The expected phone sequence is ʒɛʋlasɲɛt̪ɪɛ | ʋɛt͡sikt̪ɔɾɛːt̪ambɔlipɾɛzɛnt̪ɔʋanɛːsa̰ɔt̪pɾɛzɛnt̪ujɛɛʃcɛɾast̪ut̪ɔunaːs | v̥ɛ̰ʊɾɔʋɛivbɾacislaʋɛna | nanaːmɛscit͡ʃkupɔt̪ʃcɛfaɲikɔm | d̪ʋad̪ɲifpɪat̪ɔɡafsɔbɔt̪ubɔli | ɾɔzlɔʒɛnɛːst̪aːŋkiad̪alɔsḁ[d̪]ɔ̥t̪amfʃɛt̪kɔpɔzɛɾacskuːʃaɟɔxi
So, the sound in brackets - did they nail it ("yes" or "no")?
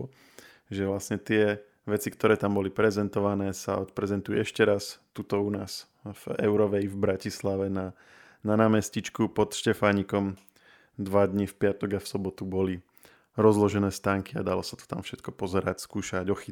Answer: no